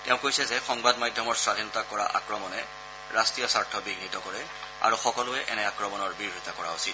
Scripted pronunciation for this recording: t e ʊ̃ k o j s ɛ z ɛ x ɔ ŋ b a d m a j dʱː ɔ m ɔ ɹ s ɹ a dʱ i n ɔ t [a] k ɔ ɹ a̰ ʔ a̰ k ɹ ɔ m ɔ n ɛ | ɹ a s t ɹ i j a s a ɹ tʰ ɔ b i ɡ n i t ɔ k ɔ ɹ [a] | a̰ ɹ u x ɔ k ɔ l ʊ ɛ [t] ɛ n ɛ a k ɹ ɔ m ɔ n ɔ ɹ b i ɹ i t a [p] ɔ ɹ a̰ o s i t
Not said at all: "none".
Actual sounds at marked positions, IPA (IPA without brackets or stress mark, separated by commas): a, ɛ, ʔ, k